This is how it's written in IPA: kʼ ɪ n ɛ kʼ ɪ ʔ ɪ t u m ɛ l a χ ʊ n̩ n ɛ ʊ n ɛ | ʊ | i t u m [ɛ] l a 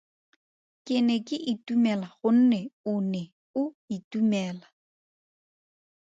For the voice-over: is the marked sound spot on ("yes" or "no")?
no